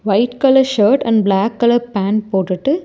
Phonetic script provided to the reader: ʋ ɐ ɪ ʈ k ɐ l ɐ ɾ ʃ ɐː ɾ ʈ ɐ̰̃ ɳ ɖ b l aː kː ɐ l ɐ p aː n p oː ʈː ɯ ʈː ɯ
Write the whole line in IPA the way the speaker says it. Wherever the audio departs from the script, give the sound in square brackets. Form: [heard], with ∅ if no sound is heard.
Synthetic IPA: ʋ ɐ ɪ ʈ k ɐ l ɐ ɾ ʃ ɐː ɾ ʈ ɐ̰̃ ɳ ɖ b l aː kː ɐ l ɐ p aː n p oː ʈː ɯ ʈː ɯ